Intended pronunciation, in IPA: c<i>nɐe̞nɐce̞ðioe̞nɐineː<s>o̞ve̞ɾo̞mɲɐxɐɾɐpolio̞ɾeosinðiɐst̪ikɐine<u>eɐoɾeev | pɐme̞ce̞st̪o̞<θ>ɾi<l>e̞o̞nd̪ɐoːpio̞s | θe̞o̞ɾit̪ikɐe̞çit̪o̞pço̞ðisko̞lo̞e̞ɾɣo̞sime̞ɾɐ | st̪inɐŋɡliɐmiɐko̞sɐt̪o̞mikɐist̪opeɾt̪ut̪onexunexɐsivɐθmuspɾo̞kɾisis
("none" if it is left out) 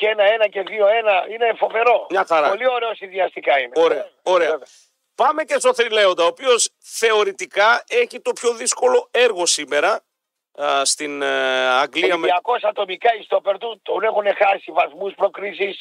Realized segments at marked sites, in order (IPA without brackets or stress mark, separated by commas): e, f, o, θ, l